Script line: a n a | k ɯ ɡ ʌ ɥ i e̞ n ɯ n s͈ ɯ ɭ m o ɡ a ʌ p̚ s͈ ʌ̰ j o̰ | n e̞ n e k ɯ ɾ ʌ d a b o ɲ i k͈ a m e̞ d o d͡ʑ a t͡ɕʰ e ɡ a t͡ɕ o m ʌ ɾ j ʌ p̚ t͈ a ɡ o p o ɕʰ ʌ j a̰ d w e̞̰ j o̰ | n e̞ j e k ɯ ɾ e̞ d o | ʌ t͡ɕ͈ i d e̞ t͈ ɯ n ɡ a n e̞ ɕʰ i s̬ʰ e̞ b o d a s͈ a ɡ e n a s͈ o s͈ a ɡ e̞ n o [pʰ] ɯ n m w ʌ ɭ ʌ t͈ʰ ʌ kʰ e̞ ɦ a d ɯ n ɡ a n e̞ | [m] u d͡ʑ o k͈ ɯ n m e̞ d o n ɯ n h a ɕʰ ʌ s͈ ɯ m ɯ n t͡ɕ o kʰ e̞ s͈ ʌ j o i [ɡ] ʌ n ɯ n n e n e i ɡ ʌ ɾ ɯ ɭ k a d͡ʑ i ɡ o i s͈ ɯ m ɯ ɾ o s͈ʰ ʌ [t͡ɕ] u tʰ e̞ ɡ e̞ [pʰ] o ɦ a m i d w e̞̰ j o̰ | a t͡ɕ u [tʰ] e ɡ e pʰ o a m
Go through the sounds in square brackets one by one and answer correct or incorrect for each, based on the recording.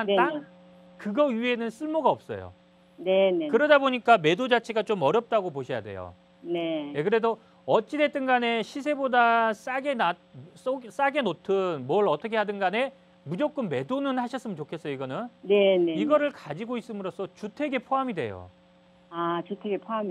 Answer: incorrect: tʰ, correct, correct, correct, correct, correct

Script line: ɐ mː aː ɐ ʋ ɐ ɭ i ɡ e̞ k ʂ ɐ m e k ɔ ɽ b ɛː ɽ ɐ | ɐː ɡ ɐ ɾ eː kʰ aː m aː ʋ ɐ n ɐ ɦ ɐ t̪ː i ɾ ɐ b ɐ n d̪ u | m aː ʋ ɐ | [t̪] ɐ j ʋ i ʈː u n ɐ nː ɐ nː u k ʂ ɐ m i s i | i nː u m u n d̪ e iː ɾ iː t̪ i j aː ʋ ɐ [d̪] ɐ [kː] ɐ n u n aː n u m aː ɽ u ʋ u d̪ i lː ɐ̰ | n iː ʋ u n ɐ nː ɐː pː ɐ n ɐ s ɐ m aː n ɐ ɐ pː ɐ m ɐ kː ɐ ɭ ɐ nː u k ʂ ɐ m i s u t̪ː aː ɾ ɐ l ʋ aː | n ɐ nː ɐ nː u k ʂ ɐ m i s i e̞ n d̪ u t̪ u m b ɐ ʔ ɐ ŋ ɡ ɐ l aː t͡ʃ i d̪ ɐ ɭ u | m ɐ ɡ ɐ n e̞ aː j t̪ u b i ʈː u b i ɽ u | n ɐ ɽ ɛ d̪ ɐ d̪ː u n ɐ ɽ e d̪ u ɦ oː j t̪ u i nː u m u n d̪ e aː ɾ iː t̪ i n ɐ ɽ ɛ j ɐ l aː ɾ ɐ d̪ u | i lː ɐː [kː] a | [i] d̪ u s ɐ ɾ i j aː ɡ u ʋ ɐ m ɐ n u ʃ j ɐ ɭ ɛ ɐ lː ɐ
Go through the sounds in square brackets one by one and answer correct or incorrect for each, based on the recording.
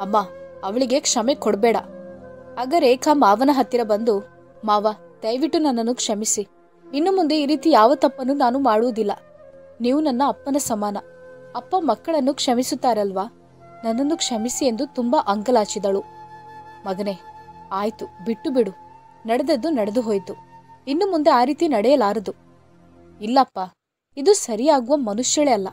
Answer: incorrect: d̪, incorrect: t̪, incorrect: pː, incorrect: pː, correct

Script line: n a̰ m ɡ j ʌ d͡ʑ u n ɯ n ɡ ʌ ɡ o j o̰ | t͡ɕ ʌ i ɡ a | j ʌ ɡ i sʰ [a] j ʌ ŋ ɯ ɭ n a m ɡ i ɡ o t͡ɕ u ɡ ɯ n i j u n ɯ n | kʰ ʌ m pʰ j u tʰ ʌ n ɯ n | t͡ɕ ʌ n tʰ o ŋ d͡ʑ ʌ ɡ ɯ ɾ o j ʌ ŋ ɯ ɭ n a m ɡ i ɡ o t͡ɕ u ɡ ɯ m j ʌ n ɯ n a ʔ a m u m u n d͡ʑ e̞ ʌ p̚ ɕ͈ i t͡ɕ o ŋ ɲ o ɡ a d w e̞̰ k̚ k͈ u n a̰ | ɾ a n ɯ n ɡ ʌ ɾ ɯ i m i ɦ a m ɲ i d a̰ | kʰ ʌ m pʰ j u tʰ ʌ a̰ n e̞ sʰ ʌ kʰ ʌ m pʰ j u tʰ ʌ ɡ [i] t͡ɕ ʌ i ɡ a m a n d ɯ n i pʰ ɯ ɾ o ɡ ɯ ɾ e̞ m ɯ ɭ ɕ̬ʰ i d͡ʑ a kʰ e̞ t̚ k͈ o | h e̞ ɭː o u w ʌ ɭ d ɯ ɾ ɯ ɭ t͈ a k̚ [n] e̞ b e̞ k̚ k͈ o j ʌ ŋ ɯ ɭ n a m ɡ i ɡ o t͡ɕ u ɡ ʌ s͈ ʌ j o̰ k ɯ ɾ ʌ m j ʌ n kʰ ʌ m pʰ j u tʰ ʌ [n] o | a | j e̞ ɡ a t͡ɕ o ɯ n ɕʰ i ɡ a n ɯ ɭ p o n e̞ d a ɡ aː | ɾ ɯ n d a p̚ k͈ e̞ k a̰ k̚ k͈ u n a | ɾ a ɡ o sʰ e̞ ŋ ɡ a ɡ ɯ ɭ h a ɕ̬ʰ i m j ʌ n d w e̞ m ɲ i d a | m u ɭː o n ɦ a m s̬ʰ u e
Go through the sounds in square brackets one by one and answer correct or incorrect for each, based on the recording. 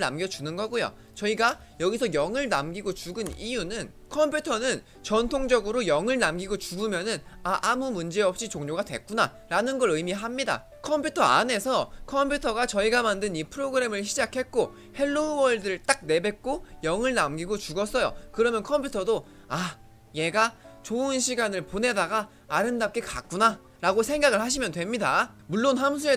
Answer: incorrect: ʌ, incorrect: a, correct, incorrect: d

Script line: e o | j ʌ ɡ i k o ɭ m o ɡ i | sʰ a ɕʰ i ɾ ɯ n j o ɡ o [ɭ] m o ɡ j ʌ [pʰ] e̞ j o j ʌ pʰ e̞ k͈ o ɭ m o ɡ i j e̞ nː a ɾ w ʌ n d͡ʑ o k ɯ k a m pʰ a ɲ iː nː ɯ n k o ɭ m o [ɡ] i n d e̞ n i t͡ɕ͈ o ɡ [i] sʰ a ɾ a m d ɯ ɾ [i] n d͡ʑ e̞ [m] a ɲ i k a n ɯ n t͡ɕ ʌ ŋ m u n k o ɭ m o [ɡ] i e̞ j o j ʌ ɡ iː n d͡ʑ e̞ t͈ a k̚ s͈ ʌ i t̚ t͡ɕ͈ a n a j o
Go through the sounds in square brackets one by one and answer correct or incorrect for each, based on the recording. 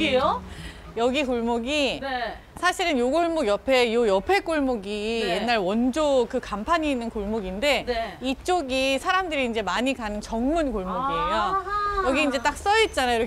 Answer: correct, correct, correct, correct, incorrect: iː, correct, correct

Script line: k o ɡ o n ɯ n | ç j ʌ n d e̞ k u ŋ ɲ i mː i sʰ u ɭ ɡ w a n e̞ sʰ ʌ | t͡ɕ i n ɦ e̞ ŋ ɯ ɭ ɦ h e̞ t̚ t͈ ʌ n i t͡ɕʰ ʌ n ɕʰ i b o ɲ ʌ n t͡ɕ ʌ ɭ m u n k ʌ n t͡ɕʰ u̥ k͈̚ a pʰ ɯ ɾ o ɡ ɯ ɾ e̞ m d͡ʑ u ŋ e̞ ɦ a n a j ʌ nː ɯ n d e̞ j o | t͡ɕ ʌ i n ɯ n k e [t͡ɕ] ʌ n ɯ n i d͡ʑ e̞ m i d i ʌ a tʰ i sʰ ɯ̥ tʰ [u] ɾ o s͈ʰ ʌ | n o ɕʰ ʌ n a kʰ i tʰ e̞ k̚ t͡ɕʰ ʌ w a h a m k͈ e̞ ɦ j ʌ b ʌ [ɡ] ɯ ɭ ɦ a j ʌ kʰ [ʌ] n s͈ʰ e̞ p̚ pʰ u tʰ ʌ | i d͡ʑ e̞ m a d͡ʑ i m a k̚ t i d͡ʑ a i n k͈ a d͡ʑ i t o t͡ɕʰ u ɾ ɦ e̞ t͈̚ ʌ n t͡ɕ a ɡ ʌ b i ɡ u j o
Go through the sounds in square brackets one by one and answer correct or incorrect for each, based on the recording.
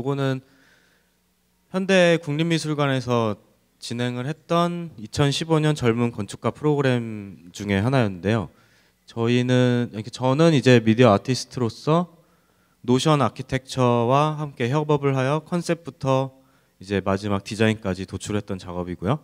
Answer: correct, incorrect: ɯ, incorrect: b, correct

